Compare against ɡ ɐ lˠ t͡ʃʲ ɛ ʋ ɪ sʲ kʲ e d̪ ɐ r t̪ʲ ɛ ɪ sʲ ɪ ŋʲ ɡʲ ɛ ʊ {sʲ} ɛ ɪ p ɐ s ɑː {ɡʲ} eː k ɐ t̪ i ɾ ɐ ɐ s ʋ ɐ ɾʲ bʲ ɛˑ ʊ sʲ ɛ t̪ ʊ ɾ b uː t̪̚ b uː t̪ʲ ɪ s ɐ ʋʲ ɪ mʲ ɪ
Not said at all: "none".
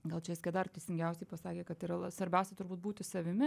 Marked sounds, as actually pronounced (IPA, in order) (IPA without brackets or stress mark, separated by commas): sʲ, kʲ